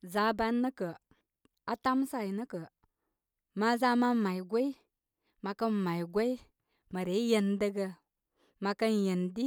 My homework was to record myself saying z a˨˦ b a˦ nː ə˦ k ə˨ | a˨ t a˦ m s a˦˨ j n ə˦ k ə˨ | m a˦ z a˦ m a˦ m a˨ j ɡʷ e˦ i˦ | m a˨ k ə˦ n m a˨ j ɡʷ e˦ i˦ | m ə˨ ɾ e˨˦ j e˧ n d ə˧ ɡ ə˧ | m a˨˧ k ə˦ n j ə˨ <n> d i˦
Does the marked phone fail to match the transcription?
no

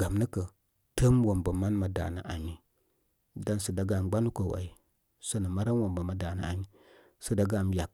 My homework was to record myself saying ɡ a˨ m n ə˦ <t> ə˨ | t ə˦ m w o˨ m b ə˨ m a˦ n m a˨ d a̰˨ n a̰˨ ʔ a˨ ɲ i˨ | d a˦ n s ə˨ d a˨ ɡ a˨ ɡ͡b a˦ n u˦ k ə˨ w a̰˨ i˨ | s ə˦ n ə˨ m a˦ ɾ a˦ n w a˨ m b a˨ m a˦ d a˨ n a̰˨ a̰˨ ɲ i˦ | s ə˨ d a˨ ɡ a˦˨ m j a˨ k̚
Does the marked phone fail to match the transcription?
yes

